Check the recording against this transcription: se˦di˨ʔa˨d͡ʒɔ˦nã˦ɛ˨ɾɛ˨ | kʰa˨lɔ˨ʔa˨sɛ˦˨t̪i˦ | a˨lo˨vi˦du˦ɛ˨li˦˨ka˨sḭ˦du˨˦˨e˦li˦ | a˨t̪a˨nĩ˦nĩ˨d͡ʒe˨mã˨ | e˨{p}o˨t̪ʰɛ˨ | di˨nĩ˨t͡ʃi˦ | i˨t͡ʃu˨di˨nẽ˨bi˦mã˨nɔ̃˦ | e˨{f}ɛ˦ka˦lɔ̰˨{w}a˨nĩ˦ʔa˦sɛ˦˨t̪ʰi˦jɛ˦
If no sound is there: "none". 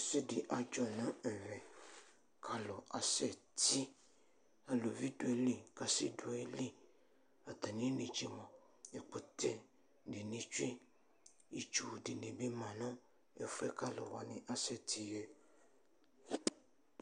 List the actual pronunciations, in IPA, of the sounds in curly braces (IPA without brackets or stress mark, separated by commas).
k͡p, f, w